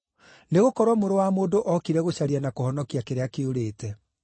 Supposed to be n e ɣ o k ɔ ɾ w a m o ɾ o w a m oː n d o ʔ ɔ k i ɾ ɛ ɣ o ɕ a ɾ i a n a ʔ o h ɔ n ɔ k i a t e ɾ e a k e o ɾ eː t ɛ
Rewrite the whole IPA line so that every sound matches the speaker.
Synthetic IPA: n e ɣ o k ɔ ɾ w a m o ɾ o w a m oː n d o ʔ ɔ k i ɾ ɛ ɣ o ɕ a ɾ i a n a k o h ɔ n ɔ k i a k e ɾ e a k e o ɾ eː t ɛ